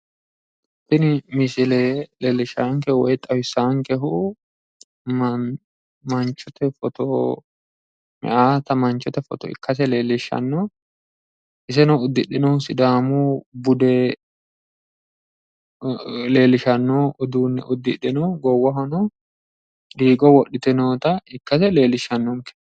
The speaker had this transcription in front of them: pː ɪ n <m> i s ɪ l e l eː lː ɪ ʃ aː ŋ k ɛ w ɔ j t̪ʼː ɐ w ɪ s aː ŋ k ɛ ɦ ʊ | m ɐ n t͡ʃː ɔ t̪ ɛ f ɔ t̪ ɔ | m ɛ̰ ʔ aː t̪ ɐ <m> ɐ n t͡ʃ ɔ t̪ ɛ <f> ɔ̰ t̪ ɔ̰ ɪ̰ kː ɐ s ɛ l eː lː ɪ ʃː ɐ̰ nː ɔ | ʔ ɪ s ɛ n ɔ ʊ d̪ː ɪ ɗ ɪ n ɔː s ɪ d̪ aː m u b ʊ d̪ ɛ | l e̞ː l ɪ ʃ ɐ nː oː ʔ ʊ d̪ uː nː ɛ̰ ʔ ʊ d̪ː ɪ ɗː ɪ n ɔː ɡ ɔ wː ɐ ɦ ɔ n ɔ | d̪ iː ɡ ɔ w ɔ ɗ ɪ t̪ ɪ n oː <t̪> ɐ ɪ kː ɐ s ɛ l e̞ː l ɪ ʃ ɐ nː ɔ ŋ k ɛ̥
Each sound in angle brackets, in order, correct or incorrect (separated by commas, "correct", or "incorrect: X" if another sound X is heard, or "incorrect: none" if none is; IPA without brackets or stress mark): correct, correct, correct, correct